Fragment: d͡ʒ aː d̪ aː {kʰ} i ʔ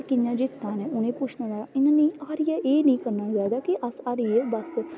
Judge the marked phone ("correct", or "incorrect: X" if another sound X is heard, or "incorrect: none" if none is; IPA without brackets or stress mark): incorrect: k